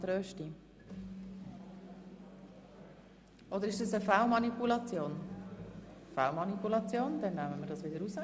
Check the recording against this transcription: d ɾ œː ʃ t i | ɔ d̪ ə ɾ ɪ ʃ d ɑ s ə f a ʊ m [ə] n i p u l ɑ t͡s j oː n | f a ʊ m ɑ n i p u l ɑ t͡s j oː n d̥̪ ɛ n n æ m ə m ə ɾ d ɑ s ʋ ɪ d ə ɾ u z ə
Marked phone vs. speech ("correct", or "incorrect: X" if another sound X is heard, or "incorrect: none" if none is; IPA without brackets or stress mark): incorrect: ɑ